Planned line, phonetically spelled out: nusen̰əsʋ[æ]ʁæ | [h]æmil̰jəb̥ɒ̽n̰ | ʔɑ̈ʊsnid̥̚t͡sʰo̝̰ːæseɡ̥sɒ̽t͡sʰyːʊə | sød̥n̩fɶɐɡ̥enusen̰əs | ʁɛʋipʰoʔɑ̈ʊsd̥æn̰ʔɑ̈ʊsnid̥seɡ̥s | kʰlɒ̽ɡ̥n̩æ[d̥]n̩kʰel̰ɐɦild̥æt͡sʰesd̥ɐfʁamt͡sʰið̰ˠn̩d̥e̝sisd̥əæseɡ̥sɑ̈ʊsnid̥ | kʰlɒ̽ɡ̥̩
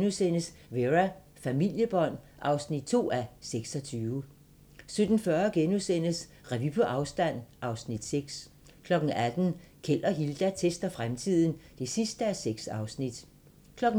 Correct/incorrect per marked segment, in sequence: incorrect: e, incorrect: f, correct

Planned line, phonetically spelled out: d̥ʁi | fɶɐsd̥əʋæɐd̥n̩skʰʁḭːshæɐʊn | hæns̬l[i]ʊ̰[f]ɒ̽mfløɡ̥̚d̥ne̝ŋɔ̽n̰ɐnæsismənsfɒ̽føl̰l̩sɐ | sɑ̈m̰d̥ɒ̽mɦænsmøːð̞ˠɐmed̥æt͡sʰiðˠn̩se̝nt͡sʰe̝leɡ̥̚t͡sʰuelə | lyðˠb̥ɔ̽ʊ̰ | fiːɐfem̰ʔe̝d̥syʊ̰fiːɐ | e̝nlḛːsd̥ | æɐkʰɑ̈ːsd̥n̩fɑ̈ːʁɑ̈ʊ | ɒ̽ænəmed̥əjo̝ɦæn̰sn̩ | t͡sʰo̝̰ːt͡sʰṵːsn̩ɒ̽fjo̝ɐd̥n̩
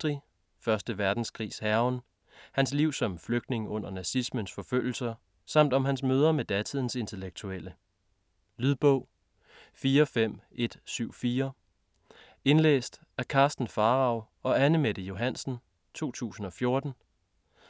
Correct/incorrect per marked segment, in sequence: correct, incorrect: s

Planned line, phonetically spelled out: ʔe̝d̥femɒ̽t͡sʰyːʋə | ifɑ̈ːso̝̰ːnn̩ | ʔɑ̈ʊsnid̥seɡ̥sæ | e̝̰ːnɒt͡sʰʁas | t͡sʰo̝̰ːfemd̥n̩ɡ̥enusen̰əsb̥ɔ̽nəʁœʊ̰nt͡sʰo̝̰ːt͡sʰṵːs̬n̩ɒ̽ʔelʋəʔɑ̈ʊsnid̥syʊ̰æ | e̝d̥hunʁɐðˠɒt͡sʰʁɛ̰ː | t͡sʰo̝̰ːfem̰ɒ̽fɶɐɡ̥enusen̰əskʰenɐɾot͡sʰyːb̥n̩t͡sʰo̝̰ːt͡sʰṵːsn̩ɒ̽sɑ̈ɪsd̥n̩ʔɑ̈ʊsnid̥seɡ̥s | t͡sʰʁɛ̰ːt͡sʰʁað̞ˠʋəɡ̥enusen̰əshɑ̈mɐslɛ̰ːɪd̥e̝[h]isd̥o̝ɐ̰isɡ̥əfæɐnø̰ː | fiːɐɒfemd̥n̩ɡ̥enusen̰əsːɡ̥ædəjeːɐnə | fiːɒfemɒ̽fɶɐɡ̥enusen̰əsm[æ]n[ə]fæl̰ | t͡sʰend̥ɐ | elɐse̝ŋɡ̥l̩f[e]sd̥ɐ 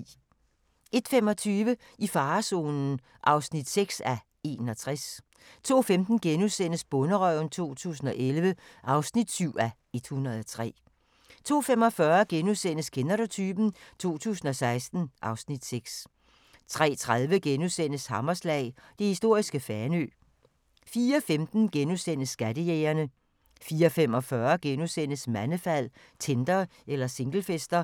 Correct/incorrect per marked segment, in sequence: correct, correct, correct, correct

